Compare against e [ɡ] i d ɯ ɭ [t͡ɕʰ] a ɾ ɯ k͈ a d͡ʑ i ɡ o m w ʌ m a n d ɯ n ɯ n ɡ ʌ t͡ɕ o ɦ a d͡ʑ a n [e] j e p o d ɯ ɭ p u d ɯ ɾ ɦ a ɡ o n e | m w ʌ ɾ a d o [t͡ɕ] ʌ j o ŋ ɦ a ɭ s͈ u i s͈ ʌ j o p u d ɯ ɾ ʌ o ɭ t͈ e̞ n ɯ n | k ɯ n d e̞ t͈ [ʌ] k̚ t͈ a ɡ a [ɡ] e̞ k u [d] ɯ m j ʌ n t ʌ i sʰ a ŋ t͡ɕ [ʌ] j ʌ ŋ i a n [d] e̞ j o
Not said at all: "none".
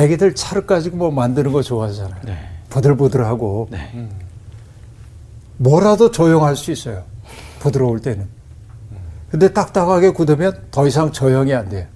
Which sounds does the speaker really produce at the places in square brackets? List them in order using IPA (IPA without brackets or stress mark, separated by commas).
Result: ɡ, t͡ɕʰ, a, t͡ɕ, a, ɡ, d, ʌ, d